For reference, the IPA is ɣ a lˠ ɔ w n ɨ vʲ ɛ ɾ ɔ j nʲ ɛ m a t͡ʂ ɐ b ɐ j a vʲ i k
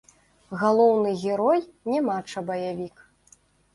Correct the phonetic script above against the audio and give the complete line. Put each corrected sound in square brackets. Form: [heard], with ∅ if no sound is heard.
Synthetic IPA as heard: ɣ a lˠ ɔ w n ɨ [ɣʲ] ɛ ɾ ɔ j nʲ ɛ m a t͡ʂ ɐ b ɐ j a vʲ i k